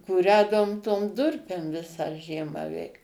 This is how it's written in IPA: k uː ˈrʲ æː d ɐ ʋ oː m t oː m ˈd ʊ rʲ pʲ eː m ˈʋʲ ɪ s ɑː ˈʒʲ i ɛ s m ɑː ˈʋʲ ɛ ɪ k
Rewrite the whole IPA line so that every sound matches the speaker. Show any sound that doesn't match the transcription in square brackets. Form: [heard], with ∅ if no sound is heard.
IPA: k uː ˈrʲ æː d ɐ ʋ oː m t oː m ˈd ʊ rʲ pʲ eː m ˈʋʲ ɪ s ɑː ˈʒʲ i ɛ [∅] m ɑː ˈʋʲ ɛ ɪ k